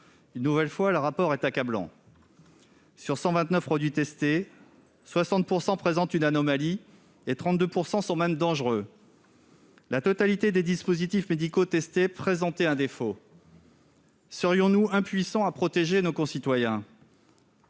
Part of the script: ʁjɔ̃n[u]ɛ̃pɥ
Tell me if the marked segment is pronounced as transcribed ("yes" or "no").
yes